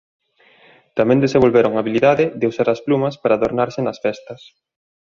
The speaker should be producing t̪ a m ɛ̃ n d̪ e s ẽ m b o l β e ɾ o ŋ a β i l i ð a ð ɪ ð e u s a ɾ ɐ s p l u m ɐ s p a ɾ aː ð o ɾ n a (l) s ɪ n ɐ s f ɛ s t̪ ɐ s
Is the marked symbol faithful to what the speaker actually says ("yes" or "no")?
no